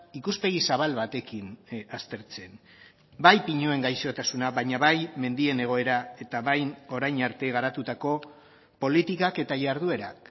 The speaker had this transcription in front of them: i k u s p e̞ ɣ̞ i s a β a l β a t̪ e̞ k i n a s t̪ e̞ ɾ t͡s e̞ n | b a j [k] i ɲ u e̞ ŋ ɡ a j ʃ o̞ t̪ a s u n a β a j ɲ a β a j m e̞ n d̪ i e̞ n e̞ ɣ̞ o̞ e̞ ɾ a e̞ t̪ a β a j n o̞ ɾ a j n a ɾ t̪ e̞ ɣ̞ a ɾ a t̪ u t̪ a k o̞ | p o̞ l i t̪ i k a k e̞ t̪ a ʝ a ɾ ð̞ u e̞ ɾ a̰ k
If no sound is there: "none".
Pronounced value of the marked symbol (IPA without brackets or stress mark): p